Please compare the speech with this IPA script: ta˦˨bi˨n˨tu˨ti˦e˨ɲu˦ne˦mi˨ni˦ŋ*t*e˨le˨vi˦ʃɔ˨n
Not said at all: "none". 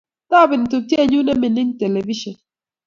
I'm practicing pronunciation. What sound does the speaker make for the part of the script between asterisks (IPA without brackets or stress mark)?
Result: t